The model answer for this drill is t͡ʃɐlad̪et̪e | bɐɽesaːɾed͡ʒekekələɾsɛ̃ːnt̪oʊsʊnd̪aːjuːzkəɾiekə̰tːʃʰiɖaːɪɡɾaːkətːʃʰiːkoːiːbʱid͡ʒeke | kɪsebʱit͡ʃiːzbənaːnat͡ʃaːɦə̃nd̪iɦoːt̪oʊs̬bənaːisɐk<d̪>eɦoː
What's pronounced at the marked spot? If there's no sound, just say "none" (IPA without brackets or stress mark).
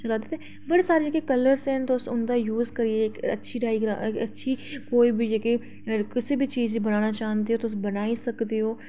d̪